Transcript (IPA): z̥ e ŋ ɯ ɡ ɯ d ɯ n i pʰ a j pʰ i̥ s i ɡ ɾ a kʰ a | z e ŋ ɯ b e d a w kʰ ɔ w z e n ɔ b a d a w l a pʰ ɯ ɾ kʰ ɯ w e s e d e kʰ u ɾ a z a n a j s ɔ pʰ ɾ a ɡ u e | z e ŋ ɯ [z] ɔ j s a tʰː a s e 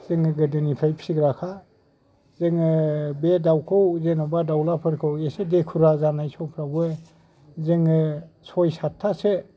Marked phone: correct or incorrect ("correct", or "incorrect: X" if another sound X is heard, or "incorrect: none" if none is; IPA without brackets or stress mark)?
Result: incorrect: s